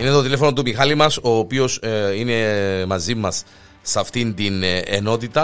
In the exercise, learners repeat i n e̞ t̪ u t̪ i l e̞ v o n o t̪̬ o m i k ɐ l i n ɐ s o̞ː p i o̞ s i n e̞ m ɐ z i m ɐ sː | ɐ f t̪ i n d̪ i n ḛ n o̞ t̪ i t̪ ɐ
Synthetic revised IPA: i n e̞ t̪ o t̪ i l e̞ f o n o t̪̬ u m i x ɐ l i m ɐ s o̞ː p i o̞ s i n e̞ m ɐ z i m ɐ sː | ɐ f t̪ i n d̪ i n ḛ n o̞ t̪ i t̪ ɐ